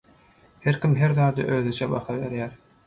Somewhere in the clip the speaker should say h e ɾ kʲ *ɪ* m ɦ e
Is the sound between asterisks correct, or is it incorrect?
incorrect